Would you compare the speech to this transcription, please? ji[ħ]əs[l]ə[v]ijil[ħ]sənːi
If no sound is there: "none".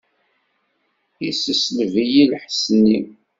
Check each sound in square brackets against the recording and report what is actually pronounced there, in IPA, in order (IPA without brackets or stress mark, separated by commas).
s, l, v, ħ